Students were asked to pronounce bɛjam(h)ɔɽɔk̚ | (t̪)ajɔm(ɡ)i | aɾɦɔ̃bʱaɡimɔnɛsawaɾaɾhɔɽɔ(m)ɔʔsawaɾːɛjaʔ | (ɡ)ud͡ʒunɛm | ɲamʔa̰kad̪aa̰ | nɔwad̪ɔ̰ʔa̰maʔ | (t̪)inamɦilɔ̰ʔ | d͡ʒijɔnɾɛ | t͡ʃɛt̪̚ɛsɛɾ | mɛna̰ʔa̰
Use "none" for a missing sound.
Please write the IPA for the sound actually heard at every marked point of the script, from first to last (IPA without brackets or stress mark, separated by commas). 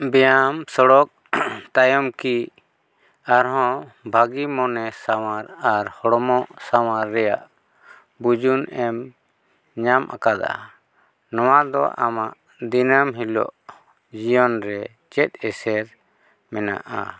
s, t̪, k, m, b, d̪